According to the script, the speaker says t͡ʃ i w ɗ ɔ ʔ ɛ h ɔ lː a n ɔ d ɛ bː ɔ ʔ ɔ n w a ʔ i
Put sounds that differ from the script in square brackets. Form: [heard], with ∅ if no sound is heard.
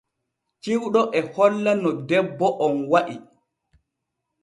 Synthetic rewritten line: t͡ʃ i w ɗ ɔ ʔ ɛ h ɔ lː a n ɔ d ɛ bː ɔ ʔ ɔ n w a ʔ i